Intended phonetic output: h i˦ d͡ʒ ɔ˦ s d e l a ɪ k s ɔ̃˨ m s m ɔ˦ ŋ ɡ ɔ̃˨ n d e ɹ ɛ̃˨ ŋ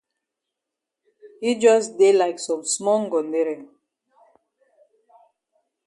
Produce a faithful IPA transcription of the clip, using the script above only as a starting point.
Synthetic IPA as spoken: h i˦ d͡ʒ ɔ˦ s d e l a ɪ k s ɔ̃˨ m s m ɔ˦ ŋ ɡ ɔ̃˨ n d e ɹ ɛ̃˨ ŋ